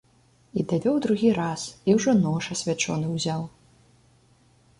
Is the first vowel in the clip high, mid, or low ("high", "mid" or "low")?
high